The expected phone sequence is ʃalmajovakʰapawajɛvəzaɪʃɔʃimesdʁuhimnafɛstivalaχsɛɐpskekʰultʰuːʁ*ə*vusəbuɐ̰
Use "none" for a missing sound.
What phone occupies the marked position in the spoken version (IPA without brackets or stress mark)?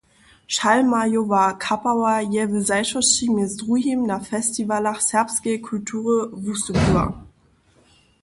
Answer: ə